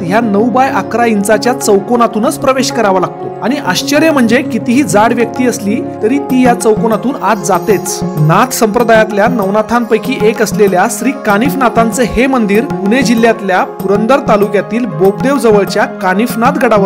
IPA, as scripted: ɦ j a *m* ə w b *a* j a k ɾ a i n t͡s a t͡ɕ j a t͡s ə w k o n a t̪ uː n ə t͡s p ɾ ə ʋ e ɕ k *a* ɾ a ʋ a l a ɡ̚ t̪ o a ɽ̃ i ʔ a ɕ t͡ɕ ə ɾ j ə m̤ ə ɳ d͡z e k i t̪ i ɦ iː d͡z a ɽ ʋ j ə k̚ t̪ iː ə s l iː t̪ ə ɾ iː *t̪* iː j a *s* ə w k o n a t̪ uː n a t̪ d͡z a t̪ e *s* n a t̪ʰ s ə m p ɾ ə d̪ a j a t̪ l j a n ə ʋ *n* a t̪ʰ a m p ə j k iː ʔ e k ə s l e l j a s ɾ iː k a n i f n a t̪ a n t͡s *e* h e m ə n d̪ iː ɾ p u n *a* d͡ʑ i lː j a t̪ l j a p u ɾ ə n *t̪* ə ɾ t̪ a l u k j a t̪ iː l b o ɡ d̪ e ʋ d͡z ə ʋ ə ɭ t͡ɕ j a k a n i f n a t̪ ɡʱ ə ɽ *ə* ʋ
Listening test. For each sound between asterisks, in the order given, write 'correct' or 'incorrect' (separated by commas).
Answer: incorrect, correct, incorrect, correct, incorrect, incorrect, correct, correct, incorrect, incorrect, incorrect